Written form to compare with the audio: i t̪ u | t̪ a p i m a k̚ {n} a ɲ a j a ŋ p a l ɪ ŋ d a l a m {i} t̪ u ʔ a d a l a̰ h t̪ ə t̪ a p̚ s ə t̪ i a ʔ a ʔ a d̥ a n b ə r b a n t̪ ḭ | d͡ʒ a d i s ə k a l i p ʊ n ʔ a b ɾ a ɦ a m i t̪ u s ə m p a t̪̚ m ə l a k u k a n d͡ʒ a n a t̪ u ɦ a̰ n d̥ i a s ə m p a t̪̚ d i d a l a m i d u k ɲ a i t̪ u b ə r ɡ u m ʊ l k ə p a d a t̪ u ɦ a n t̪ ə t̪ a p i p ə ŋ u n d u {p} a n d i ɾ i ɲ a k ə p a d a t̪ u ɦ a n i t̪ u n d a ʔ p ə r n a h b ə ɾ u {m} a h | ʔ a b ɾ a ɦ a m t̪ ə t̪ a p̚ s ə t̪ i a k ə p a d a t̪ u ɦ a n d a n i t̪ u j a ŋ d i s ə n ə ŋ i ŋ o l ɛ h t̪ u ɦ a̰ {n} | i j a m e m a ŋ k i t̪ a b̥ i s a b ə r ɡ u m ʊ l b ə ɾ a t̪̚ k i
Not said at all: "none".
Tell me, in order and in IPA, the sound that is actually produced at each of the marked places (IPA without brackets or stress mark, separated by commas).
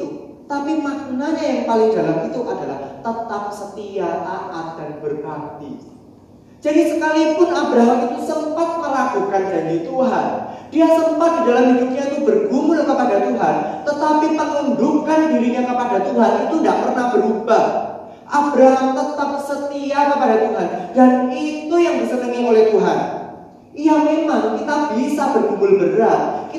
n, i, k, b, n